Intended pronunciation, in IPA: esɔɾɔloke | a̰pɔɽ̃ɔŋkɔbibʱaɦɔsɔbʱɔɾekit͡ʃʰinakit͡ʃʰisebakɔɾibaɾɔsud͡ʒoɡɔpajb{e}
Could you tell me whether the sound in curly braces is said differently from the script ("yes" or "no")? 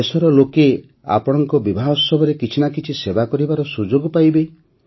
no